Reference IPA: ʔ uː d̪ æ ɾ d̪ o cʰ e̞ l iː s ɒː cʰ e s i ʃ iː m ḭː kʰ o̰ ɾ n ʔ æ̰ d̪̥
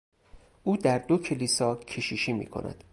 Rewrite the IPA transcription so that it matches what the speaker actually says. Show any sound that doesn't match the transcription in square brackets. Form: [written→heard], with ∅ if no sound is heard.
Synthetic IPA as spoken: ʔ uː d̪ æ ɾ d̪ o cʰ e̞ l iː s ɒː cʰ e [s→ʃ] i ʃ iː m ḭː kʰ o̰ [ɾ→∅] n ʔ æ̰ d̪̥